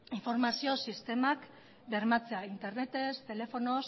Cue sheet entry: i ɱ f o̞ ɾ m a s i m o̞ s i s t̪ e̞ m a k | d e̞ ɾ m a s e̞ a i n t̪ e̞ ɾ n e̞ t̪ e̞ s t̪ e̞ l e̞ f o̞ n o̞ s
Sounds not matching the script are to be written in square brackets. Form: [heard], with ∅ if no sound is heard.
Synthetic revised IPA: i ɱ f o̞ ɾ m a s i [∅] o̞ s i s t̪ e̞ m a k | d e̞ ɾ m a [t͡s] e̞ a i n t̪ e̞ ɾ n e̞ t̪ e̞ s t̪ e̞ l e̞ f o̞ n o̞ s